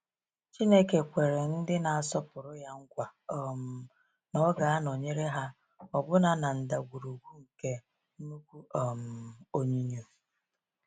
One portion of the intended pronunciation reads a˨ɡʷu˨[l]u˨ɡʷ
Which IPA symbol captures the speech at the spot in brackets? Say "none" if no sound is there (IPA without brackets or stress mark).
ɾ